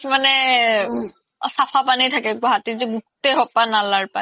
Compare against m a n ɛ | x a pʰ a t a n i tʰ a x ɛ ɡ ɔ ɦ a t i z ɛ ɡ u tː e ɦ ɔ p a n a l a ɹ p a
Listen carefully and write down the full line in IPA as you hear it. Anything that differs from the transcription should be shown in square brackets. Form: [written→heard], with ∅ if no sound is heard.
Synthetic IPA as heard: m a n ɛ | [x→s] a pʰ a [t→p] a n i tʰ a [x→k] ɛ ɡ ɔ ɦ a t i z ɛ ɡ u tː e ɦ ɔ p a n a l a ɹ p a